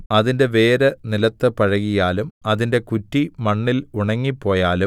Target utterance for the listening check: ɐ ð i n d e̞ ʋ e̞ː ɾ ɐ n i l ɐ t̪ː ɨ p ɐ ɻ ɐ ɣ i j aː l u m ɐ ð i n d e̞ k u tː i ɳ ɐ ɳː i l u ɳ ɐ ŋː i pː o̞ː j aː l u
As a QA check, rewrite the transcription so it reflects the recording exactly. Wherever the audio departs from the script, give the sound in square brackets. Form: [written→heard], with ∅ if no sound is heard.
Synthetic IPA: ɐ ð i n d e̞ ʋ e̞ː ɾ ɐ n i l ɐ t̪ː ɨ p ɐ ɻ ɐ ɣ i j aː l u m ɐ ð i n d e̞ k u tː i [ɳ→m] ɐ ɳː i l u ɳ ɐ ŋː i pː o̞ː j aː l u

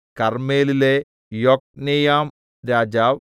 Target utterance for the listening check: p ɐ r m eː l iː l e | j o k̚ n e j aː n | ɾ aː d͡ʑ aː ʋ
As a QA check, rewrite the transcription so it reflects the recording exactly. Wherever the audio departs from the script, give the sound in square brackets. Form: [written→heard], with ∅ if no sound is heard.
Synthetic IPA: [p→k] ɐ r m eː l [iː→i] l e | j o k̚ n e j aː [n→m] | ɾ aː d͡ʑ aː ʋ

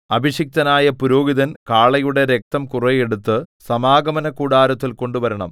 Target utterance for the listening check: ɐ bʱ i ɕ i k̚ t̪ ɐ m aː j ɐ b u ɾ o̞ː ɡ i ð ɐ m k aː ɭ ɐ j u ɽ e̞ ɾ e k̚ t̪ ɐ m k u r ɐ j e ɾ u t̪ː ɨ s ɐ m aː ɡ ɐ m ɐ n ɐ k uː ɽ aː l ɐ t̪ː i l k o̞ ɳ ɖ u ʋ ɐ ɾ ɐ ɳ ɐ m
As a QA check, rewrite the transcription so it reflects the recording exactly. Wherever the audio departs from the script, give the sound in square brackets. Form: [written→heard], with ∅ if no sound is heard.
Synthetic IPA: ɐ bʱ i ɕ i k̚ t̪ ɐ [m→n] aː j ɐ [b→p] u ɾ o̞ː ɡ i ð ɐ [m→n] k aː ɭ ɐ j u ɽ e̞ ɾ e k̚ t̪ ɐ m k u r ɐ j e [ɾ→ɽ] u t̪ː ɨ s ɐ m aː ɡ ɐ m ɐ n ɐ k uː ɽ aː [l→ɾ] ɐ t̪ː i l k o̞ ɳ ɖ u ʋ ɐ ɾ ɐ ɳ ɐ m

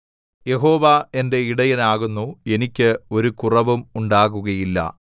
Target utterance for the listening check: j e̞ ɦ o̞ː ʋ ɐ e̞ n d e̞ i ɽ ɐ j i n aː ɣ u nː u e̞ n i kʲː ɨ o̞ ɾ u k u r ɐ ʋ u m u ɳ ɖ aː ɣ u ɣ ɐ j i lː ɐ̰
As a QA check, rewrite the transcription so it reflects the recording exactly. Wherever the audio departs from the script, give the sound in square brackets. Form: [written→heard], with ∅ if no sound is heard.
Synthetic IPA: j e̞ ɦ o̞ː ʋ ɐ e̞ n d e̞ i ɽ ɐ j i n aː ɣ u nː u e̞ n i kʲː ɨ o̞ ɾ u k u r ɐ ʋ u m u ɳ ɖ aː ɣ u ɣ ɐ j i lː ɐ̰

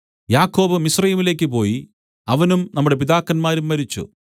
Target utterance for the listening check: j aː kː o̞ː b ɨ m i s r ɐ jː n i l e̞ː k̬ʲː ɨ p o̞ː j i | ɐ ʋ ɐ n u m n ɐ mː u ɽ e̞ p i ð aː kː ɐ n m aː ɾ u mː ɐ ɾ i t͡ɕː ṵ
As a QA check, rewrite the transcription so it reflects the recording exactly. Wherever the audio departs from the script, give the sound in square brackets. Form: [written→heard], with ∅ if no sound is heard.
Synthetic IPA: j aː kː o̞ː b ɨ m i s r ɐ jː [n→m] i l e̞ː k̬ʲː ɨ p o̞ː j i | ɐ ʋ ɐ n u m n ɐ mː u ɽ e̞ p i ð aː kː ɐ n m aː ɾ u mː ɐ ɾ i t͡ɕː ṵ

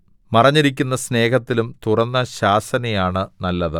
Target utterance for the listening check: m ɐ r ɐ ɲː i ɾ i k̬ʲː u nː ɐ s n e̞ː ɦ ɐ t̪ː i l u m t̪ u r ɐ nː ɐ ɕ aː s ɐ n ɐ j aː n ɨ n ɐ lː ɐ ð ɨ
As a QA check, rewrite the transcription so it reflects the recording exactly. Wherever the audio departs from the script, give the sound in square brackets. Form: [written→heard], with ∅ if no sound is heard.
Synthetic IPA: m ɐ r ɐ ɲː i ɾ i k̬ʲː u nː ɐ s n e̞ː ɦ ɐ t̪ː i l u m t̪ u r ɐ nː ɐ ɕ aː s ɐ n ɐ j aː [n→ɳ] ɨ n ɐ lː ɐ ð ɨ

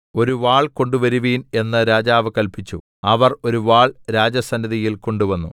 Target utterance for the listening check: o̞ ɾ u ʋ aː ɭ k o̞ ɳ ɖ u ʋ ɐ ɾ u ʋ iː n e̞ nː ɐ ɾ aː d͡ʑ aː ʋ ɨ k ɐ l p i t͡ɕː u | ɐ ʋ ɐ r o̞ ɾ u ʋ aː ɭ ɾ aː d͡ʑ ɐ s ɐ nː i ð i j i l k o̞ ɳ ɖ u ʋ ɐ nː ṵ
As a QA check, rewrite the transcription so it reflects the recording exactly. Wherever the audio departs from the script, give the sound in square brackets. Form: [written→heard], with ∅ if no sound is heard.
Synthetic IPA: o̞ ɾ u ʋ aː ɭ k o̞ ɳ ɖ u ʋ ɐ ɾ u ʋ iː n e̞ nː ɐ ɾ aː d͡ʑ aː ʋ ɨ k ɐ l p i t͡ɕː u | ɐ ʋ ɐ r o̞ ɾ u ʋ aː ɭ ɾ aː d͡ʑ ɐ s ɐ nː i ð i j i l k o̞ ɳ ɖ u ʋ ɐ nː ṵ

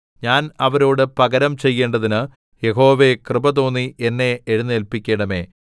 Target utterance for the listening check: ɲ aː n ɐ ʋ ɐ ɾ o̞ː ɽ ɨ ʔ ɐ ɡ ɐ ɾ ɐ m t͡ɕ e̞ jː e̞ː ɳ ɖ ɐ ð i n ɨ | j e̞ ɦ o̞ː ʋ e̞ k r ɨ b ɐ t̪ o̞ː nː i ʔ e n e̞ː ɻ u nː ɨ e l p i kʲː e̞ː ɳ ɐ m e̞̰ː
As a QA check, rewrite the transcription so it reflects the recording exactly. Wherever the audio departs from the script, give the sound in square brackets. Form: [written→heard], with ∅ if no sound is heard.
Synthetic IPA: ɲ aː n ɐ ʋ ɐ ɾ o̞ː ɽ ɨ [ʔ→p] ɐ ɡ ɐ ɾ ɐ m t͡ɕ e̞ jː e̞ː ɳ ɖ ɐ ð i n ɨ | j e̞ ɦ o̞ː ʋ e̞ k r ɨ b ɐ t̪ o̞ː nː i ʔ e [n→nː] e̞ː ɻ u nː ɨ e l p i kʲː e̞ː ɳ ɐ m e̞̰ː

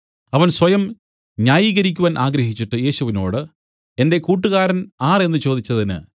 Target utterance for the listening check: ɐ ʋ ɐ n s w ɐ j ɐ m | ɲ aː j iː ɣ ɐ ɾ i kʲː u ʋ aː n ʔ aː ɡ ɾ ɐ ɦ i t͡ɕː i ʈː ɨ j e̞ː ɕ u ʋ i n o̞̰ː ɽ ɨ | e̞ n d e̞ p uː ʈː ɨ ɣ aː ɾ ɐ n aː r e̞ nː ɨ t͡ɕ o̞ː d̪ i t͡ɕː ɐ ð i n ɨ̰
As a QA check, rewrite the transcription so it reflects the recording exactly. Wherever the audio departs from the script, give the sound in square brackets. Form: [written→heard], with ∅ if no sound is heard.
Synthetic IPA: ɐ ʋ ɐ n s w ɐ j ɐ m | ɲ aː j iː ɣ ɐ ɾ i kʲː u ʋ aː n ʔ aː ɡ ɾ ɐ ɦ i t͡ɕː i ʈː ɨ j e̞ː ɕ u ʋ i n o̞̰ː ɽ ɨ | e̞ n d e̞ [p→k] uː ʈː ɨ ɣ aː ɾ ɐ n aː r e̞ nː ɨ t͡ɕ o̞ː d̪ i t͡ɕː ɐ ð i n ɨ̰

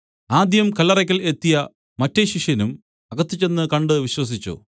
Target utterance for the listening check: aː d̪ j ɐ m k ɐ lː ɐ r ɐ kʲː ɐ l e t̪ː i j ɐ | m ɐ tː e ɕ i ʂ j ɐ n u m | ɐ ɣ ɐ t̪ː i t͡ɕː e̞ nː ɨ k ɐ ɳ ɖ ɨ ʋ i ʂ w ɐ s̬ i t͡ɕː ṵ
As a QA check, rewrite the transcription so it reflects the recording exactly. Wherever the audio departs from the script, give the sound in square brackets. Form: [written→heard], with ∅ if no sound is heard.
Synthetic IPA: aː d̪ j ɐ m k ɐ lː ɐ r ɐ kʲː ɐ l e t̪ː i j ɐ | m ɐ tː e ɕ i ʂ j ɐ n u m | ɐ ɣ ɐ t̪ː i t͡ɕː e̞ nː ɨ k ɐ ɳ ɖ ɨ ʋ i [ʂ→ɕ] w ɐ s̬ i t͡ɕː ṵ

